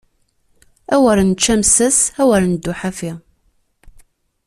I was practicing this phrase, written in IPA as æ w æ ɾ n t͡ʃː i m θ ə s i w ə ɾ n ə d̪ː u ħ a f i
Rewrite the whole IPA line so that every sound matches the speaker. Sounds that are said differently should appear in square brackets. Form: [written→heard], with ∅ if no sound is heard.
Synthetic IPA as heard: æ w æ ɾ n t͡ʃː [i→æ] m [θ→s] ə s [i→æ] w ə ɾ n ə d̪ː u ħ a f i